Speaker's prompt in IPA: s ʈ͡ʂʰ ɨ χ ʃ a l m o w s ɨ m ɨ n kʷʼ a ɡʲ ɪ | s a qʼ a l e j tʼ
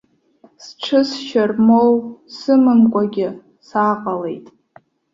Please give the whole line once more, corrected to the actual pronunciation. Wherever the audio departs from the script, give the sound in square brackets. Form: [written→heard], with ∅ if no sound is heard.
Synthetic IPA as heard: s ʈ͡ʂʰ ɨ [χ→s] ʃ a [l→r] m o w s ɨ m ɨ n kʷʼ a ɡʲ ɪ | s a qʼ a l e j tʼ

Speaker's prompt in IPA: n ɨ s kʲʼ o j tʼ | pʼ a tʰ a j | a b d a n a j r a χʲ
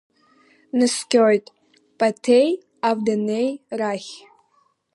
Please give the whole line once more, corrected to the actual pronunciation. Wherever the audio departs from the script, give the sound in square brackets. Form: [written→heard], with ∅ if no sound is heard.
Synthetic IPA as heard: n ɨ s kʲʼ o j tʼ | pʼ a tʰ [a→e] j | a [b→v] d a n [a→e] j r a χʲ

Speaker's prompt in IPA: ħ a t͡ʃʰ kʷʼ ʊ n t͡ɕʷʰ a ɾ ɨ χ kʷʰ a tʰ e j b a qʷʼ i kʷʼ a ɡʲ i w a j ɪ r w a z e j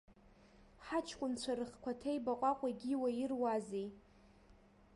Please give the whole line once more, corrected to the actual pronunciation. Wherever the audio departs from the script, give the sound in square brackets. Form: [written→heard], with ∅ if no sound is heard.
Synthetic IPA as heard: ħ a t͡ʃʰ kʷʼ ʊ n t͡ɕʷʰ a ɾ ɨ χ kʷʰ a tʰ e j b a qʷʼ [i→a] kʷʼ a ɡʲ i w a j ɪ r w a z e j

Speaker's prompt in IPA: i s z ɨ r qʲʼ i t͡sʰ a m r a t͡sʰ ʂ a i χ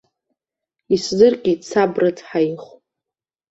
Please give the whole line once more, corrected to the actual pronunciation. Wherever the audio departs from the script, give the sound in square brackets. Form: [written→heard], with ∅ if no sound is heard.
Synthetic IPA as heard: i s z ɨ r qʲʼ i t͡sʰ a [m→b] r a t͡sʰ [ʂ→ħ] a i χ

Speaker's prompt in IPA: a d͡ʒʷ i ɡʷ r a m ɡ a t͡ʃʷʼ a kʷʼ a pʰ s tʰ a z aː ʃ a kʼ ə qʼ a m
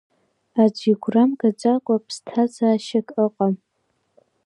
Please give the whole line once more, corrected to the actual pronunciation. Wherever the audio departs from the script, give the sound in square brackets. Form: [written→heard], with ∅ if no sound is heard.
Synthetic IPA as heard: a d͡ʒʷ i ɡʷ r a m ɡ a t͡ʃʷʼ a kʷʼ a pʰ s tʰ a z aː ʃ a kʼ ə qʼ a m

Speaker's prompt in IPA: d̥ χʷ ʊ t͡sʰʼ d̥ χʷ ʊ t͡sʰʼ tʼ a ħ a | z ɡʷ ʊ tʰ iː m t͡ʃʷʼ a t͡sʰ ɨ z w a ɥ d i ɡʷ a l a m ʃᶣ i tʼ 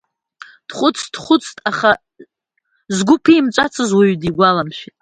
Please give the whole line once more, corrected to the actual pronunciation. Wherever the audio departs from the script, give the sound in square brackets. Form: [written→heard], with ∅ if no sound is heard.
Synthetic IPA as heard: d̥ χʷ ʊ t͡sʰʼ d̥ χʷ ʊ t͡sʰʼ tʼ a [ħ→χ] a | z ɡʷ ʊ [tʰ→pʰ] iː m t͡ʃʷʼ a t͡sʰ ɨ z w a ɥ d i ɡʷ a l a m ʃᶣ i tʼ

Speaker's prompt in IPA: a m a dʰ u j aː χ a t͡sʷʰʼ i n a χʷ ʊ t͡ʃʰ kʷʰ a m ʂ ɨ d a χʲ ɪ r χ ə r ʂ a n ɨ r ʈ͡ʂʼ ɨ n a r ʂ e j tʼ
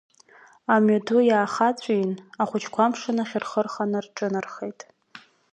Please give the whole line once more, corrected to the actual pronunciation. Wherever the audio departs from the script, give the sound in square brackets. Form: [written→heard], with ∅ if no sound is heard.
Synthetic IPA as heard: a m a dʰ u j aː χ a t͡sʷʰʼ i n a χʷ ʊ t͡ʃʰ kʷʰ a m ʂ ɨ [d→n] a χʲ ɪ r χ ə r [ʂ→χ] a n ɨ r ʈ͡ʂʼ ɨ n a r [ʂ→χ] e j tʼ

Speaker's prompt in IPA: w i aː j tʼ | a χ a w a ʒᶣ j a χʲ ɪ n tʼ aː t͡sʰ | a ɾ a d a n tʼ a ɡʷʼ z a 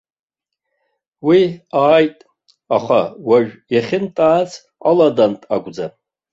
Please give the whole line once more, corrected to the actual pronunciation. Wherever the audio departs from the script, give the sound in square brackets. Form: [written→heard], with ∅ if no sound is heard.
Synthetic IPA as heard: w i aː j tʼ | a χ a w a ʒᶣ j a χʲ ɪ n tʼ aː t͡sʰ | a [ɾ→l] a d a n tʼ a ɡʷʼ [z→d͡z] a

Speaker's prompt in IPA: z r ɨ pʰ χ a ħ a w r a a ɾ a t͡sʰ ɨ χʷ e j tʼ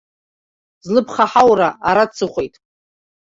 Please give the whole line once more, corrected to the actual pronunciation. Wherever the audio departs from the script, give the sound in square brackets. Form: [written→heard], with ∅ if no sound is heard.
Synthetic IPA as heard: z [r→l] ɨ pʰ χ a ħ a w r a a ɾ a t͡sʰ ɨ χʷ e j tʼ

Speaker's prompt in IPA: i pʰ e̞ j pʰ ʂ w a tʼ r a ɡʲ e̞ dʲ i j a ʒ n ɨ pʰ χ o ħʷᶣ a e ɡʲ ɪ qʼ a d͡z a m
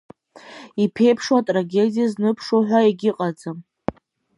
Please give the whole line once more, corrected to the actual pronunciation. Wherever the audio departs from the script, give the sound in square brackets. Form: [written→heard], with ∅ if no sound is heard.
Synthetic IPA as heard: i pʰ e̞ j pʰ ʂ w a tʼ r a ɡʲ e̞ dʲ i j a [ʒ→z] n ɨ pʰ [χ→ʂ] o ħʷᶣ a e ɡʲ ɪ qʼ a d͡z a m

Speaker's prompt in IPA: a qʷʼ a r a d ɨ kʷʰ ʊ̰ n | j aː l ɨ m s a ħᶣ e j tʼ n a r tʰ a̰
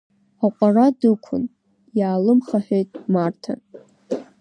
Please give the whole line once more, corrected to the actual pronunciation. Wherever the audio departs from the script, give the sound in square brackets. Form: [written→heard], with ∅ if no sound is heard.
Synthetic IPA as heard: a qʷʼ a r a d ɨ kʷʰ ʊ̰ n | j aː l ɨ m [s→χ] a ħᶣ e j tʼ [n→m] a r tʰ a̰

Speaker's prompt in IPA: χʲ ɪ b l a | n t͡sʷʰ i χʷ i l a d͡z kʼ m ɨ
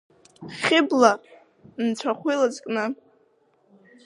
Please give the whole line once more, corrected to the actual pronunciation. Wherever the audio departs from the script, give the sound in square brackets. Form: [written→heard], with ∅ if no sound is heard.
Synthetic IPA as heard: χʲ ɪ b l a | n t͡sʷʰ [i→a] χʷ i l a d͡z kʼ [m→n] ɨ

